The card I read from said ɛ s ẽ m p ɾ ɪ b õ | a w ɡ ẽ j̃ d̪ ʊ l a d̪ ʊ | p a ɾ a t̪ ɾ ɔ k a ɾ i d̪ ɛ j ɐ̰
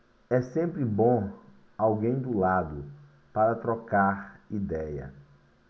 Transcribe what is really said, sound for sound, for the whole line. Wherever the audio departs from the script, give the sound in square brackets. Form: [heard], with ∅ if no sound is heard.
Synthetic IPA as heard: ɛ s ẽ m p ɾ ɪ b õ | a w ɡ ẽ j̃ d̪ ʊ l a d̪ ʊ | p a ɾ [ɐ] t̪ ɾ ɔ k a ɾ i d̪ ɛ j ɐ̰